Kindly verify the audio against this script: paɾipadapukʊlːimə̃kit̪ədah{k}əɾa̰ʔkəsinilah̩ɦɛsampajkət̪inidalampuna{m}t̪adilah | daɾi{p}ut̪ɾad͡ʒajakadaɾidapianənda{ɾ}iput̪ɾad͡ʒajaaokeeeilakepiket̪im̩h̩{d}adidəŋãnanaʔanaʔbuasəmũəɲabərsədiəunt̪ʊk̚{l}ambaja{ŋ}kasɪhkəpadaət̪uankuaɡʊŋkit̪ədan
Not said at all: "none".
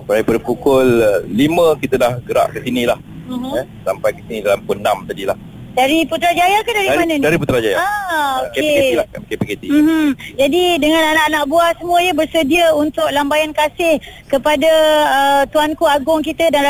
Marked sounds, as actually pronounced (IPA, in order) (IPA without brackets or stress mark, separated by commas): ɡ, m, p, ɾ, d͡ʒ, l, n